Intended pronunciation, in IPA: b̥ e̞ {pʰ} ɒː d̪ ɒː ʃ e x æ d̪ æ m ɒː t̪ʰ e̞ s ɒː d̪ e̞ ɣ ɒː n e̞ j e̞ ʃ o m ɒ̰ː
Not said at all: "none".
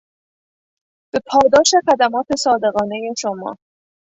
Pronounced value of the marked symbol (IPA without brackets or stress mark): pʰ